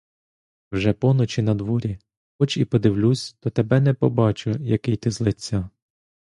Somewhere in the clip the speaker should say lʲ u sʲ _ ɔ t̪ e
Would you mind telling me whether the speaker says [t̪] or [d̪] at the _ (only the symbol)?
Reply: t̪